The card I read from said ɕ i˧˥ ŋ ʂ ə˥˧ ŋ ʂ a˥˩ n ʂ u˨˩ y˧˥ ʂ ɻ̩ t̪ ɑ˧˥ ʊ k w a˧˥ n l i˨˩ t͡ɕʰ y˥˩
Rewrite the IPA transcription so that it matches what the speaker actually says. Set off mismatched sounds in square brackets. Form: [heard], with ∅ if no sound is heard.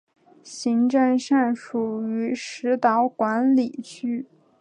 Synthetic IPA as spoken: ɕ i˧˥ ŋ [ʈ͡ʂ] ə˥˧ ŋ ʂ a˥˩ n ʂ u˨˩ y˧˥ ʂ ɻ̩ t̪ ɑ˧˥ ʊ k w a˧˥ n l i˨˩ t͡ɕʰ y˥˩